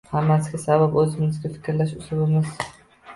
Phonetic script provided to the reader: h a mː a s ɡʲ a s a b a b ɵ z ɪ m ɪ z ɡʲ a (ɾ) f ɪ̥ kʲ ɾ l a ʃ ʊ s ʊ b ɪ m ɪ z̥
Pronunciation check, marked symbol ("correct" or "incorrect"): incorrect